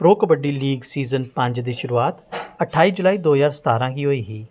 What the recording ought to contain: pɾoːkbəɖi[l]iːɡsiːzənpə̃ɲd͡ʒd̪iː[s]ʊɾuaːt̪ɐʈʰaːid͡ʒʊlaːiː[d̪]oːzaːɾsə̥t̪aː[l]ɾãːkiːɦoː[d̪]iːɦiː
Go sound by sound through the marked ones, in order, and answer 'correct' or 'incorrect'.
correct, incorrect, correct, incorrect, incorrect

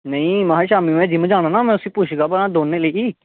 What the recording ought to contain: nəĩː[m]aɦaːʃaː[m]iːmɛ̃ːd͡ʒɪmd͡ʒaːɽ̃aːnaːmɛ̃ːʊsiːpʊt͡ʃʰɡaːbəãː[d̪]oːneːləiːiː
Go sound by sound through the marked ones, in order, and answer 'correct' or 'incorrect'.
correct, correct, correct

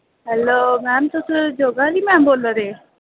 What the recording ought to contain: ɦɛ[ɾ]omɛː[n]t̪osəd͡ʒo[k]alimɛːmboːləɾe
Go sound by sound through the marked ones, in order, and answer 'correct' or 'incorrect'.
incorrect, incorrect, incorrect

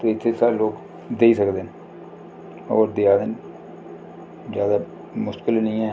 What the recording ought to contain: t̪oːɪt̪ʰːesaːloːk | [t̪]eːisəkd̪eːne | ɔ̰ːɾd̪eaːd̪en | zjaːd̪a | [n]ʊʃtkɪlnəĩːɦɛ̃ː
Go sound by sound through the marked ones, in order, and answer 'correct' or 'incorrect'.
incorrect, incorrect

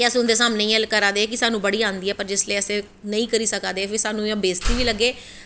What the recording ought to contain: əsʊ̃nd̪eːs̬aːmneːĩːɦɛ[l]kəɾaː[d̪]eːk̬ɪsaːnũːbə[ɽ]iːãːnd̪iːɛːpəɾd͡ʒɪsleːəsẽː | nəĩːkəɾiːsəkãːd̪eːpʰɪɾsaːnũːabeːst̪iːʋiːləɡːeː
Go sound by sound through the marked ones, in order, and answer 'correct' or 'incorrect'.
correct, correct, correct

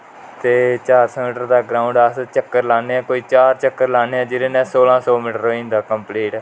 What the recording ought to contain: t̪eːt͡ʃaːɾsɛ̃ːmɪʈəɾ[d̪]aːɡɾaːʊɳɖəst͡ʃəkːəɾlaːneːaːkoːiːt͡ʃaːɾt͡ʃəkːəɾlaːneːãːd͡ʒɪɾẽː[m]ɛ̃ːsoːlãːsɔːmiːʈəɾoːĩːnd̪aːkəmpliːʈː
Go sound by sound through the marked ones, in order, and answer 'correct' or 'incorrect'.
correct, incorrect

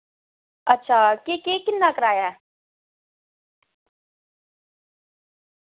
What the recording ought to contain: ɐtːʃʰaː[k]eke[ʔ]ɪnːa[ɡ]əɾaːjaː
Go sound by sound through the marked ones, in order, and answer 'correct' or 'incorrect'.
correct, incorrect, incorrect

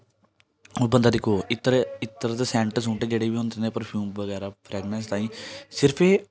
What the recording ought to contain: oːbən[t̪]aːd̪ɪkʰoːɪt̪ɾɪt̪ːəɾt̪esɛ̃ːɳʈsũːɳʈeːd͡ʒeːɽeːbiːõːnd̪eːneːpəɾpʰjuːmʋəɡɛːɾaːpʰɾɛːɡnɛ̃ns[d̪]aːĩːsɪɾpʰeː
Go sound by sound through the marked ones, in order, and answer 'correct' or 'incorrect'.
incorrect, incorrect

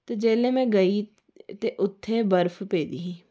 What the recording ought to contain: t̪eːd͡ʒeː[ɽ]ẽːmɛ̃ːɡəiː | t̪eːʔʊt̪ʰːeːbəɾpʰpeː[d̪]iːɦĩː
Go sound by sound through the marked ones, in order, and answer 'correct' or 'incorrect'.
incorrect, correct

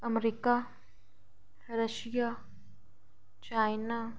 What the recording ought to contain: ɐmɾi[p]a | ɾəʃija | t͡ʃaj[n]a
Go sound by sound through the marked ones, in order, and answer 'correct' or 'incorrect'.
incorrect, correct

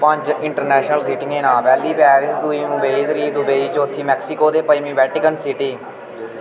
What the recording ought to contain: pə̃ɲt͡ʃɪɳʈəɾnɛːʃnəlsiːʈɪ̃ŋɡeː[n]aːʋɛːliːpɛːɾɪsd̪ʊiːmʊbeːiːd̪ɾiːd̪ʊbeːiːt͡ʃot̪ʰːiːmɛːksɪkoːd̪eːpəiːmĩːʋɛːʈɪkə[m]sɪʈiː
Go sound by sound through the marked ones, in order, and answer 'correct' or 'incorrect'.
correct, incorrect

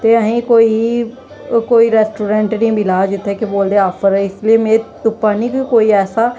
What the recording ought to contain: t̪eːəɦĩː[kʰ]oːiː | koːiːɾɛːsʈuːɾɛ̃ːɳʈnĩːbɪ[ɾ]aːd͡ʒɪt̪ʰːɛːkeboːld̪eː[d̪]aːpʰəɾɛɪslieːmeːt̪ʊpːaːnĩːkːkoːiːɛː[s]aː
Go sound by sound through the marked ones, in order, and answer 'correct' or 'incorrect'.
incorrect, incorrect, incorrect, correct

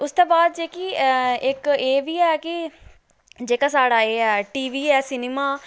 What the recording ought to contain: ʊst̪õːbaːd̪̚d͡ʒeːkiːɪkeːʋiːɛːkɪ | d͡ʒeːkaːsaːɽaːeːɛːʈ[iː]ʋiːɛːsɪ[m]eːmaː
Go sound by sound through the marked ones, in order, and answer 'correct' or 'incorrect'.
correct, incorrect

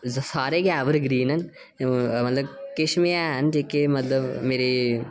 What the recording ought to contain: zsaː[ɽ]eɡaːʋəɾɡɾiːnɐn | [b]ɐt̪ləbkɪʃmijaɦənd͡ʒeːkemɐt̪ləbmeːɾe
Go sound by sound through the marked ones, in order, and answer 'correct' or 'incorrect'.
incorrect, incorrect

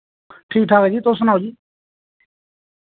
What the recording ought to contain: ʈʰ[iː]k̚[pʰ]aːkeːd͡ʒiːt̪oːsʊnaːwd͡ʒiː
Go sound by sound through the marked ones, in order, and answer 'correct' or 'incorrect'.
correct, incorrect

